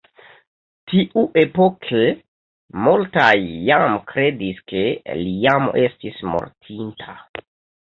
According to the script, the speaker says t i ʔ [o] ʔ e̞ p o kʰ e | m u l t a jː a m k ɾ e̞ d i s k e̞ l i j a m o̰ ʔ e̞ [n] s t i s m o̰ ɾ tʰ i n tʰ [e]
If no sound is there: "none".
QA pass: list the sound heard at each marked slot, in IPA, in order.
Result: u, none, a

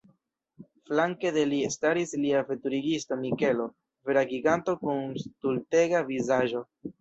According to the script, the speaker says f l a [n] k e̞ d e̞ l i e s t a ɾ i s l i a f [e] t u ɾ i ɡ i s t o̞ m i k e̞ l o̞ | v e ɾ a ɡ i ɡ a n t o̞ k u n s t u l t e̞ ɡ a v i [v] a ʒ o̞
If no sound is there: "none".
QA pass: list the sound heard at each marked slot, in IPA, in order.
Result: ŋ, e, z

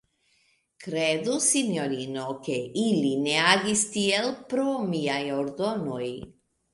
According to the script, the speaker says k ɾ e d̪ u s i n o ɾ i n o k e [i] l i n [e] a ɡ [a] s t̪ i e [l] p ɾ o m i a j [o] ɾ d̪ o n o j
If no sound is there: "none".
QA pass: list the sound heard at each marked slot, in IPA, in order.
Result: i, e, i, l, o

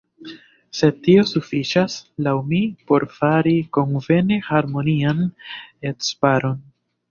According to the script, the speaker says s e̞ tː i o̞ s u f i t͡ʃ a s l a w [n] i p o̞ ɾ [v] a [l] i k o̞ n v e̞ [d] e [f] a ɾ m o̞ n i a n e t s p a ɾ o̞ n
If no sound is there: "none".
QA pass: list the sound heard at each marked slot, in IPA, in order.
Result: m, f, ɾ, n, h

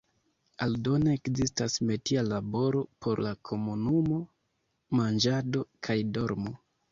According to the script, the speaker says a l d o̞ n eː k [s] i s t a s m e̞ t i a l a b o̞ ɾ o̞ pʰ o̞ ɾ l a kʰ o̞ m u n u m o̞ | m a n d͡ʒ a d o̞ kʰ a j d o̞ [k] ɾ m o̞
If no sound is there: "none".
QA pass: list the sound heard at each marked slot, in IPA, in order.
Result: z, none

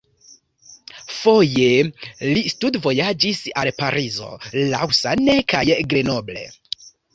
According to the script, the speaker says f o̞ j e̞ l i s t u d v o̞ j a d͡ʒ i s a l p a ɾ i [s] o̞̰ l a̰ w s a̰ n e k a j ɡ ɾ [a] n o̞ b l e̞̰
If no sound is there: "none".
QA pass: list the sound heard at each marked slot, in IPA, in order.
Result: z, e

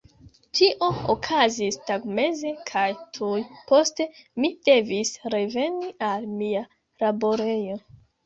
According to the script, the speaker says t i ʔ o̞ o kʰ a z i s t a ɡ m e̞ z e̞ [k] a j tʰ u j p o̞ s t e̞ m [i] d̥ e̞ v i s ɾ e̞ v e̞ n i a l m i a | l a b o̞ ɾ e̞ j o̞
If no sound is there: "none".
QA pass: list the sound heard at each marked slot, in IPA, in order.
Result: kʰ, i

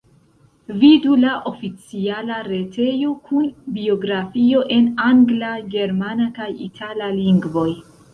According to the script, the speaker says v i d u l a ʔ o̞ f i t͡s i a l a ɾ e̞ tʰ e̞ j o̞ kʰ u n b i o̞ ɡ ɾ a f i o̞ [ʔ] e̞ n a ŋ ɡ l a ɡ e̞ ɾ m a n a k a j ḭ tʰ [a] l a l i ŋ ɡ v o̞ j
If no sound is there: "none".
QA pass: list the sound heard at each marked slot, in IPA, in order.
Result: ʔ, a

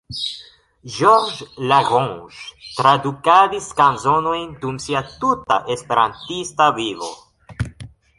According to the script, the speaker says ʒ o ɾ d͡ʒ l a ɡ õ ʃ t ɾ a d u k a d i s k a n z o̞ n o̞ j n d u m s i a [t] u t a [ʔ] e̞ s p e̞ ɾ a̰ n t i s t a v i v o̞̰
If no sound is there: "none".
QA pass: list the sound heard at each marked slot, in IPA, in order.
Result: t, ʔ

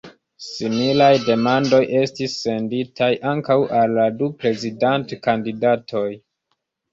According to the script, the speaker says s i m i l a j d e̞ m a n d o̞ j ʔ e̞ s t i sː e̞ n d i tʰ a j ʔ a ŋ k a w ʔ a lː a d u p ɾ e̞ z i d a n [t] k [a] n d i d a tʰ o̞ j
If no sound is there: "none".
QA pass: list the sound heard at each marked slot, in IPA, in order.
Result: t, a

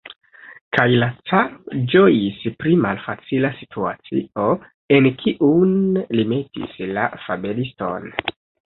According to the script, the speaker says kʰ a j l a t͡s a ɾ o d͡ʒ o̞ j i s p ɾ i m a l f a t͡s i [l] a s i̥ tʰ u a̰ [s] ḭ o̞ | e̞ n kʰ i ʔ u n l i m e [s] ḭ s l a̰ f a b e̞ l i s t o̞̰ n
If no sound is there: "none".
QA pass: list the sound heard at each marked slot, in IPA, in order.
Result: l, t͡s, t

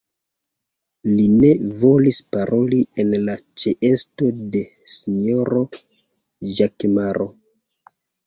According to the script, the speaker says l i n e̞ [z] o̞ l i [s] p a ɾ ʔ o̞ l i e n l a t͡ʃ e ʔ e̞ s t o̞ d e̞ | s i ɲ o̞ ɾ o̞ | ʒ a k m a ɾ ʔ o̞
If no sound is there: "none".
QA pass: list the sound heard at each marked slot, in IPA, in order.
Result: v, s

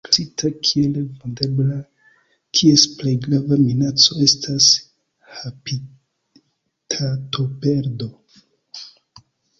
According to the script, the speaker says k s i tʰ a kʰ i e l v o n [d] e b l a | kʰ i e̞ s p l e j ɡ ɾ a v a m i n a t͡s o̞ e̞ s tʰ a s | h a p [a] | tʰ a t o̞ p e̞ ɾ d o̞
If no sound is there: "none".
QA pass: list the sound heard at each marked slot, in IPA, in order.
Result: d, i

